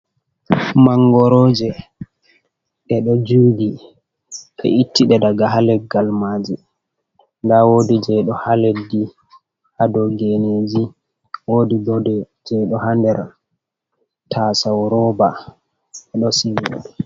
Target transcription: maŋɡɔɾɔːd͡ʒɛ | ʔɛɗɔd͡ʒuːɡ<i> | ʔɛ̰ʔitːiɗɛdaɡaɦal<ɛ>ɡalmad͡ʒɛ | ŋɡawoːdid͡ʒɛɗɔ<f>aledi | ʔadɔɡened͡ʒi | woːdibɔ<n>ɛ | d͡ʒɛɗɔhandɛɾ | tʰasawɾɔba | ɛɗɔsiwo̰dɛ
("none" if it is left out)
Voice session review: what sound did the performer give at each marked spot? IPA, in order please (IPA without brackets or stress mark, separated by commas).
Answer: i, ɛ, h, d